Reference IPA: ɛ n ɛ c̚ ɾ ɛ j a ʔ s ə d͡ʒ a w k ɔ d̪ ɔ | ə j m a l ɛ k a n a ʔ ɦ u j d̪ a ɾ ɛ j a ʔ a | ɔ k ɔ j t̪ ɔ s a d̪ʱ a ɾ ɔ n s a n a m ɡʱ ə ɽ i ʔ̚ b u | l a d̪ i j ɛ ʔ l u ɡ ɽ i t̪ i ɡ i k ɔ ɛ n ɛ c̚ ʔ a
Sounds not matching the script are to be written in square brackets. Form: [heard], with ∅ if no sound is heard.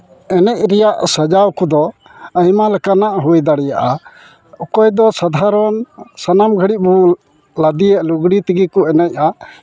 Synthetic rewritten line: ɛ n ɛ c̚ ɾ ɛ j a ʔ s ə d͡ʒ a w k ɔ d̪ ɔ | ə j m a l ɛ k a n a ʔ ɦ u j d̪ a [ɽ] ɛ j a ʔ a | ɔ k ɔ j [d̪] ɔ s a d̪ʱ a ɾ ɔ n s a n a m ɡʱ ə ɽ i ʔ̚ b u | l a d̪ i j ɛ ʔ l u ɡ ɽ i t̪ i ɡ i k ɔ ɛ n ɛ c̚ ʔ a